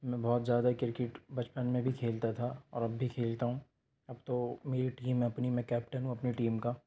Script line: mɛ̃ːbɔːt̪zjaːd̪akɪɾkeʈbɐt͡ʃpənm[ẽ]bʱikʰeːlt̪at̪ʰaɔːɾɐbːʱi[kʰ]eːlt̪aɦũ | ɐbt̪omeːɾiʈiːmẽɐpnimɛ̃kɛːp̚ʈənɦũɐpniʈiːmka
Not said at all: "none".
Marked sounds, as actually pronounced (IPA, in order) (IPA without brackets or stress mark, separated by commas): ẽ, kʰ